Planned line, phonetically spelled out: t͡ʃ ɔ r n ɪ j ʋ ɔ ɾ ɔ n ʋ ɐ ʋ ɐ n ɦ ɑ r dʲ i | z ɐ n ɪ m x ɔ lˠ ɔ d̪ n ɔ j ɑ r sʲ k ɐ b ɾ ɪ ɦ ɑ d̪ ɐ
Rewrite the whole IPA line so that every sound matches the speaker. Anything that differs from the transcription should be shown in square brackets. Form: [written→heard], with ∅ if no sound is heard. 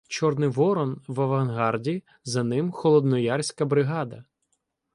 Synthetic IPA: t͡ʃ ɔ r n ɪ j ʋ ɔ ɾ ɔ n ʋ ɐ ʋ ɐ n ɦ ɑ r dʲ i | z ɐ n ɪ m x ɔ lˠ ɔ d̪ n ɔ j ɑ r sʲ k ɐ b ɾ ɪ ɦ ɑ d̪ ɐ